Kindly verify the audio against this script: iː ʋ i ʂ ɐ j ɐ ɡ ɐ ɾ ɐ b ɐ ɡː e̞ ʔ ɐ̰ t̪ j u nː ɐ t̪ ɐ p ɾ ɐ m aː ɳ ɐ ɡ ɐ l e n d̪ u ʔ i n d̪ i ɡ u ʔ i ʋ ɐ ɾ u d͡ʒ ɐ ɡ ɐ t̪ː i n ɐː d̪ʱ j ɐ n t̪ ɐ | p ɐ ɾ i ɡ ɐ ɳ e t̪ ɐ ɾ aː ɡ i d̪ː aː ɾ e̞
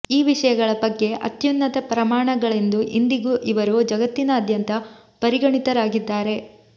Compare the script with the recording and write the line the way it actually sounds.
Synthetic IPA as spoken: iː ʋ i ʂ ɐ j ɐ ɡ ɐ ɭ ɐ b ɐ ɡː e̞ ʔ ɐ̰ t̪ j u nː ɐ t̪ ɐ p ɾ ɐ m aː ɳ ɐ ɡ ɐ ɭ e n d̪ u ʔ i n d̪ i ɡ u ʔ i ʋ ɐ ɾ u d͡ʒ ɐ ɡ ɐ t̪ː i n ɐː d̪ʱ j ɐ n t̪ ɐ | p ɐ ɾ i ɡ ɐ ɳ i t̪ ɐ ɾ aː ɡ i d̪ː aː ɾ e̞

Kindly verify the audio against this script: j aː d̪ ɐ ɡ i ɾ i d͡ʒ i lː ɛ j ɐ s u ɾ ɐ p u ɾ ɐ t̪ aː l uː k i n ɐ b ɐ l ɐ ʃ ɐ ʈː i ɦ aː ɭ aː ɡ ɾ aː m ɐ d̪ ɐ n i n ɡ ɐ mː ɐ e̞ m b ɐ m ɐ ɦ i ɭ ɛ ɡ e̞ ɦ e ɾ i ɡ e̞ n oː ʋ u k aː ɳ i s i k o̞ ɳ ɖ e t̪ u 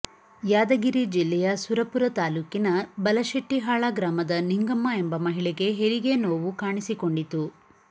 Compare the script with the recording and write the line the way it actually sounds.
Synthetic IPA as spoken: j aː d̪ ɐ ɡ i ɾ i d͡ʒ i lː ɛ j ɐ s u ɾ ɐ p u ɾ ɐ t̪ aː l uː k i n ɐ b ɐ l ɐ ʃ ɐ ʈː i ɦ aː ɭ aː ɡ ɾ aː m ɐ d̪ ɐ n i ŋ ɡ ɐ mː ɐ e̞ m b ɐ m ɐ ɦ i ɭ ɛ ɡ e̞ ɦ e ɾ i ɡ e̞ n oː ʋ u k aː ɳ i s i k o̞ ɳ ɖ i t̪ u

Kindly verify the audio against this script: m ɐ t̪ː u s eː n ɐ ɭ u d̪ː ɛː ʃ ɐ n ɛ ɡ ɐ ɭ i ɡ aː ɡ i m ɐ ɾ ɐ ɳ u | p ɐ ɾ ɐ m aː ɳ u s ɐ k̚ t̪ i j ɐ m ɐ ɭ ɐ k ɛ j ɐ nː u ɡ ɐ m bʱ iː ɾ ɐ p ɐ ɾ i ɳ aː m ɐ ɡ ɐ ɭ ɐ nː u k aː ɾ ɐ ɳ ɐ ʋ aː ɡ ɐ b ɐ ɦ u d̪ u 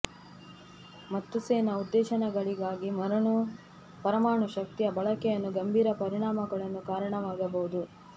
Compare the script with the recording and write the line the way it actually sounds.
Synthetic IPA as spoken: m ɐ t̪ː u s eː n ɐ u d̪ː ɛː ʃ ɐ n ɛ ɡ ɐ ɭ i ɡ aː ɡ i m ɐ ɾ ɐ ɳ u | p ɐ ɾ ɐ m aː ɳ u ʃ ɐ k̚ t̪ i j ɐ b ɐ ɭ ɐ k ɛ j ɐ nː u ɡ ɐ m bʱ iː ɾ ɐ p ɐ ɾ i ɳ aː m ɐ ɡ ɐ ɭ ɐ nː u k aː ɾ ɐ ɳ ɐ ʋ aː ɡ ɐ b ɐ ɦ u d̪ u

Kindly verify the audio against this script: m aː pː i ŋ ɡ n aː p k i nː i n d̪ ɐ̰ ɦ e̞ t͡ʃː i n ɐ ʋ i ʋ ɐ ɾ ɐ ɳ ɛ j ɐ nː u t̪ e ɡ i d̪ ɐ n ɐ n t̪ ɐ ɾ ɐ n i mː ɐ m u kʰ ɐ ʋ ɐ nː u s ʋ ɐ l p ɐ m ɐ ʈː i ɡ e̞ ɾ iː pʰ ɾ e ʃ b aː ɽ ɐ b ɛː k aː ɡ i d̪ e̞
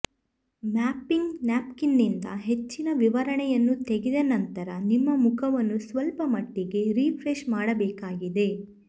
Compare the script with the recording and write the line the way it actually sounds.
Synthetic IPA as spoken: m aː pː i ŋ ɡ n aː p k i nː i n d̪ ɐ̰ ɦ e̞ t͡ʃː i n ɐ ʋ i ʋ ɐ ɾ ɐ ɳ ɛ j ɐ nː u t̪ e ɡ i d̪ ɐ n ɐ n t̪ ɐ ɾ ɐ n i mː ɐ m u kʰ ɐ ʋ ɐ nː u s ʋ ɐ l p ɐ m ɐ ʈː i ɡ e̞ ɾ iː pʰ ɾ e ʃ m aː ɽ ɐ b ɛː k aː ɡ i d̪ e̞

